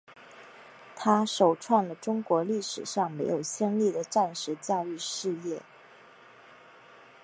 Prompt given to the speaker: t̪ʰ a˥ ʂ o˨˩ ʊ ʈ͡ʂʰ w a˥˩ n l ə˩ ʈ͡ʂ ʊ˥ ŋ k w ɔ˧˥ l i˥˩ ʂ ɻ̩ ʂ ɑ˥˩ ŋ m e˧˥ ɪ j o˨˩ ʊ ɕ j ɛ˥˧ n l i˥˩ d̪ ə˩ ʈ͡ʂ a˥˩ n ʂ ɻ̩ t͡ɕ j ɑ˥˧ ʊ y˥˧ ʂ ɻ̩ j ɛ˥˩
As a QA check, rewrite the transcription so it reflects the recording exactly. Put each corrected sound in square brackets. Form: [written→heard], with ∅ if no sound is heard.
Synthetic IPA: t̪ʰ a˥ ʂ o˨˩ ʊ ʈ͡ʂʰ w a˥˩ n l ə˩ ʈ͡ʂ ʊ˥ ŋ k w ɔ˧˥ l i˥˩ ʂ ɻ̩ ʂ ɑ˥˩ ŋ m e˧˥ ɪ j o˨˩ ʊ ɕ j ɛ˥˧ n l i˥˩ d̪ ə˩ ʈ͡ʂ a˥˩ n ʂ ɻ̩ t͡ɕ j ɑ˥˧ ʊ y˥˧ ʂ ɻ̩ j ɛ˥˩